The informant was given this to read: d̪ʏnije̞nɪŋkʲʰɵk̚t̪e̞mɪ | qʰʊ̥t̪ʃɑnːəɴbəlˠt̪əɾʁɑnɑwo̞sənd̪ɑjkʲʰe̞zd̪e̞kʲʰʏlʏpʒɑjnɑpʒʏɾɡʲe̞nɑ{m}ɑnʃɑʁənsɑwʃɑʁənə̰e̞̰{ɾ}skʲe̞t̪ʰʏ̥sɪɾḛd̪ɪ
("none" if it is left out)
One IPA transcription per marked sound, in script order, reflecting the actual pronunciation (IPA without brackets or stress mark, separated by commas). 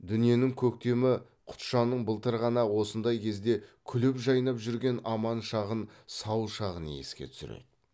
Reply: m, none